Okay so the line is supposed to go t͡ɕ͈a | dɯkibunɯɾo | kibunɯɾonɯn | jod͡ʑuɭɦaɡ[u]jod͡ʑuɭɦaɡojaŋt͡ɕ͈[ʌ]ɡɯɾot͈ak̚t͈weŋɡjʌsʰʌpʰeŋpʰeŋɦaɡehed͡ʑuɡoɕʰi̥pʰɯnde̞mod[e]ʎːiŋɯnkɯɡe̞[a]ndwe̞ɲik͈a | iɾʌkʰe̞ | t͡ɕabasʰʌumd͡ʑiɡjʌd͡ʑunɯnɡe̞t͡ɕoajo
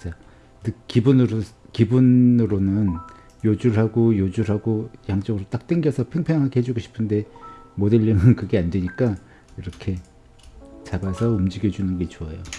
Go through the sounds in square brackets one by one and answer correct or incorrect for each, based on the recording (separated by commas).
incorrect, correct, correct, correct